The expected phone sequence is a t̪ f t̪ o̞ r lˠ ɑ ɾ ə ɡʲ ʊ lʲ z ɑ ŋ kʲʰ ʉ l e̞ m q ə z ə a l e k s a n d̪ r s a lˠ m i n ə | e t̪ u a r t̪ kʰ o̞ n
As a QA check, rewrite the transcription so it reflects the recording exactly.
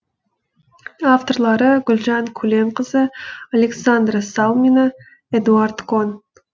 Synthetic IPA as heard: a f t̪ o̞ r lˠ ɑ ɾ ə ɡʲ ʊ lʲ ʒ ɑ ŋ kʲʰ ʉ l e̞ m q ə z ə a l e k s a n d̪ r s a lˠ m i n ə | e d̪ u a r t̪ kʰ o̞ n

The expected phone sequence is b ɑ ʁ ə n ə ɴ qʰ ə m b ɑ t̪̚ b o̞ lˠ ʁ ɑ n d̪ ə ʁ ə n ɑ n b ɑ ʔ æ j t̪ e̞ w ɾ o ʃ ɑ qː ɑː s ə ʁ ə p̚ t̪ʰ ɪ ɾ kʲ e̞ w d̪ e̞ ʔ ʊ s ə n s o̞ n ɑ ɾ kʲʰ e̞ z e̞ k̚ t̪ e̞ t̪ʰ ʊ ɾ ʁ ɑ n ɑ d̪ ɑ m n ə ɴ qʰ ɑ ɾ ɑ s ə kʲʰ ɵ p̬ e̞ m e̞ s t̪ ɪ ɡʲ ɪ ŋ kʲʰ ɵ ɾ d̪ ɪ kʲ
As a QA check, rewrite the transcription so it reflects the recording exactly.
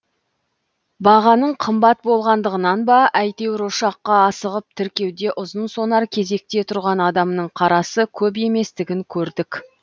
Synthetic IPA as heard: b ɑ ʁ ɑ n ə ɴ qʰ ə m b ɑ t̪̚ b o̞ lˠ ʁ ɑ n d̪ ə ʁ ə n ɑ n b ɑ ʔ æ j t̪ e̞ w ɾ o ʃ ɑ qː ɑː s ə ʁ ə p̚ t̪ʰ ɪ ɾ kʲ e̞ w d̪ e̞ ʔ ʊ z ə n s o̞ n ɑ ɾ kʲʰ e̞ z e̞ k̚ t̪ e̞ t̪ʰ ʊ ɾ ʁ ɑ n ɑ d̪ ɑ m n ə ɴ qʰ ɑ ɾ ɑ s ə kʲʰ ɵ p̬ e̞ m e̞ s t̪ ɪ ɡʲ ɪ ŋ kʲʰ ɵ ɾ d̪ ɪ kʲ

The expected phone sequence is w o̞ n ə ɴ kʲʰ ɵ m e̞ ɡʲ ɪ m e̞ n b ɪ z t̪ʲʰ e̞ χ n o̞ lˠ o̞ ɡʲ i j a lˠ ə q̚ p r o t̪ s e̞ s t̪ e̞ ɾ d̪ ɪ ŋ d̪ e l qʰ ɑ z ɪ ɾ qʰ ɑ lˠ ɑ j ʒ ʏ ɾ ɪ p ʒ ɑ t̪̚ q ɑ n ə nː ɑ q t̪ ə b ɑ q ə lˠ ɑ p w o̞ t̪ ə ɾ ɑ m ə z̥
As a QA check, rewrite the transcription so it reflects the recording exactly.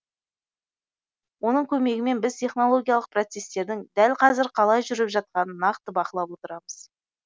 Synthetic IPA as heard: w o̞ n ə ɴ kʲʰ ɵ m e̞ ɡʲ ɪ m e̞ n b ɪ z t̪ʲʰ e̞ χ n o̞ lˠ o̞ ɡʲ i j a lˠ ə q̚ p r o t̪ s e̞ s t̪ e̞ ɾ d̪ ɪ ŋ d̪ æ l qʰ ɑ z ɪ ɾ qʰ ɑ lˠ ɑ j ʒ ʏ ɾ ɪ p ʒ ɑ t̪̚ q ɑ n ə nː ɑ q t̪ ə b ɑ q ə lˠ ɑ p w o̞ t̪ ə ɾ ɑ m ə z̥

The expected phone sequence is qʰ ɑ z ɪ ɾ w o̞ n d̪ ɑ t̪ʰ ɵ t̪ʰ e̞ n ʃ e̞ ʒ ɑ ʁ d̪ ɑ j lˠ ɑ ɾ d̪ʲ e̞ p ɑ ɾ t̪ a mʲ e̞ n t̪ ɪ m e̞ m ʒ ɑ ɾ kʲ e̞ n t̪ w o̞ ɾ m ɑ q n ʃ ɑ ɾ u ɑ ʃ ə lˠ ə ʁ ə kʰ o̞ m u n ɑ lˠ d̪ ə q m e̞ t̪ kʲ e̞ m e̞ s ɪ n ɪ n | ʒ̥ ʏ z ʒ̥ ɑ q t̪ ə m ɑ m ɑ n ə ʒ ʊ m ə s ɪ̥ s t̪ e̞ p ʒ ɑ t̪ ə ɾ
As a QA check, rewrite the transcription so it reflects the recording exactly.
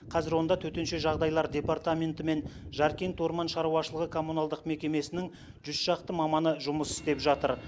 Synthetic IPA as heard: qʰ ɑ z ɪ ɾ w o̞ n d̪ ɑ t̪ʰ ɵ t̪ e̞ n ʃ e̞ ʒ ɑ ʁ d̪ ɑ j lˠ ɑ ɾ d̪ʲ e̞ p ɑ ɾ t̪ a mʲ e̞ n t̪ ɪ m e̞ n ʒ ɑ ɾ kʲ e̞ n t̪ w o̞ ɾ m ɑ n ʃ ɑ ɾ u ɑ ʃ ə lˠ ə ʁ ə kʰ o̞ m u n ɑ lˠ d̪ ə q m e̞ kʲ e̞ m e̞ s ɪ n ɪ ŋ | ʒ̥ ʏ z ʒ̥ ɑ q t̪ ə m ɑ m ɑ n ə ʒ ʊ m ə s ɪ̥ s t̪ e̞ p ʒ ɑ t̪ ə ɾ

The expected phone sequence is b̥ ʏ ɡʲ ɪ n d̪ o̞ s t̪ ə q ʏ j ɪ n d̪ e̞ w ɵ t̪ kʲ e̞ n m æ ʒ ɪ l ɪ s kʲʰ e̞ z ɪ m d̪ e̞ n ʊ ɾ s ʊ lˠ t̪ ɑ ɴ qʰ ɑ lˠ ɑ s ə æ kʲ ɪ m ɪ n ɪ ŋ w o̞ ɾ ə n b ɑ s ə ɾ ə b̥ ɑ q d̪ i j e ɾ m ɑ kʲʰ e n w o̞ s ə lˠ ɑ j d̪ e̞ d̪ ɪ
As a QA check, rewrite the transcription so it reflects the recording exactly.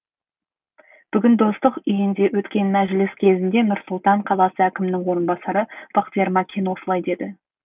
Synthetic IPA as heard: b̥ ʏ ɡʲ ɪ n d̪ o̞ s t̪ ə q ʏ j ɪ n d̪ e̞ w ɵ t̪ kʲ e̞ n m æ ʒ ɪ l ɪ s kʲʰ e̞ z ɪ n d̪ e̞ n ʊ ɾ s ʊ lˠ t̪ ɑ ɴ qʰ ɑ lˠ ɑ s ə æ kʲ ɪ m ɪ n ɪ ŋ w o̞ ɾ ə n b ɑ s ɑ ɾ ə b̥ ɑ q t̪ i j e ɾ m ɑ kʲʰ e n w o̞ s ə lˠ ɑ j d̪ e̞ d̪ ɪ

